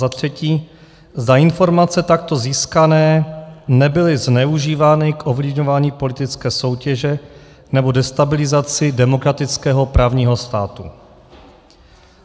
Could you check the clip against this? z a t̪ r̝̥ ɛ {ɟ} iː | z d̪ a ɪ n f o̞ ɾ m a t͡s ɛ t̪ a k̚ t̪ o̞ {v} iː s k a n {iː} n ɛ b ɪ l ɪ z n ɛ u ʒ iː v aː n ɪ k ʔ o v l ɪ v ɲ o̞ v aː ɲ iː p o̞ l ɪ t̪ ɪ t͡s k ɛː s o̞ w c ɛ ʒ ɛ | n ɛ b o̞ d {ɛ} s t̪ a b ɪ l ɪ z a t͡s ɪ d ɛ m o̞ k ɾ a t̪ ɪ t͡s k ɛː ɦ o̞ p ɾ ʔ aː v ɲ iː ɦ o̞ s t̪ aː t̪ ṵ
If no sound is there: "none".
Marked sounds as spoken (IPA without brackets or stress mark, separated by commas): c, z, ɛː, ɛ